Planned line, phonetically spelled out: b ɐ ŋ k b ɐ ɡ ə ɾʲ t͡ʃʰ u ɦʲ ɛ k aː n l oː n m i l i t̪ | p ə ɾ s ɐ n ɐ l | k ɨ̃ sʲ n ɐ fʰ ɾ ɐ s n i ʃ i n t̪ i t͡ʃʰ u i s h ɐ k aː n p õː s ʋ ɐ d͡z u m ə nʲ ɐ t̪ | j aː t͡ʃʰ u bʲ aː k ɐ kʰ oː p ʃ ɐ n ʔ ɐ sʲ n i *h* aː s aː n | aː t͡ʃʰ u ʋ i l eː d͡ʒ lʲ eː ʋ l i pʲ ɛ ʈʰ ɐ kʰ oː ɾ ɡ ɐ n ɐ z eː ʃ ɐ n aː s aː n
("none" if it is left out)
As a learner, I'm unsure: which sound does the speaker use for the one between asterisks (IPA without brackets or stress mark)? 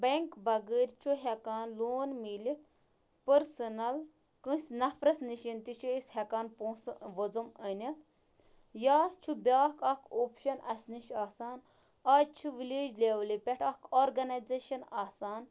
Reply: ʃ